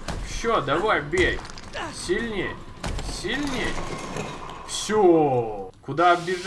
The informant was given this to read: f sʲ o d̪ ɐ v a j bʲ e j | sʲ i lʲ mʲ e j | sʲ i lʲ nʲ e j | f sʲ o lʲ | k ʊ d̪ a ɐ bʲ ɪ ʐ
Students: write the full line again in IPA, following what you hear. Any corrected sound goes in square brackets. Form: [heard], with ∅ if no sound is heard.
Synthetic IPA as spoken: f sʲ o d̪ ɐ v a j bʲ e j | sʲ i lʲ [nʲ] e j | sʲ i lʲ nʲ e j | f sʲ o [∅] | k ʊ d̪ a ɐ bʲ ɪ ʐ